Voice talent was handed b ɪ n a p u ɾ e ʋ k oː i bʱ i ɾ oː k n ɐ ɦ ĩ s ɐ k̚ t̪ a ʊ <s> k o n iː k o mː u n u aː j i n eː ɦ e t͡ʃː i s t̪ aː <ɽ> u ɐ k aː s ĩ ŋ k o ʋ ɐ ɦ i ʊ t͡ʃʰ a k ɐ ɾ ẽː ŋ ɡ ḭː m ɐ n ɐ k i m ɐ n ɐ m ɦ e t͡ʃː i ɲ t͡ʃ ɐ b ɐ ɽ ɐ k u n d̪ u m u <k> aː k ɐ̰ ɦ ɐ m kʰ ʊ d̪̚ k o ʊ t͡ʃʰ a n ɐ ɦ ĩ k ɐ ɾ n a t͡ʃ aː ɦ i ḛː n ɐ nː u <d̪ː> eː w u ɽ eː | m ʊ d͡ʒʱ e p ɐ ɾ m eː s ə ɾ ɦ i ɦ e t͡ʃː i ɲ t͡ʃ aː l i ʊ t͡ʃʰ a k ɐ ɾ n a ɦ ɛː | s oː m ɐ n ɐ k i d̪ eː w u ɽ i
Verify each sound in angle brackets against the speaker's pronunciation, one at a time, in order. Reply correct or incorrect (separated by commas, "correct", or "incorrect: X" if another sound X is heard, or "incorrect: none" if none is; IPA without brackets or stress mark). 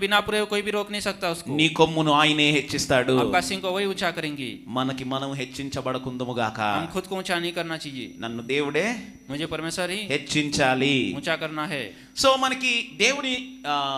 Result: correct, correct, incorrect: ɡ, incorrect: d̪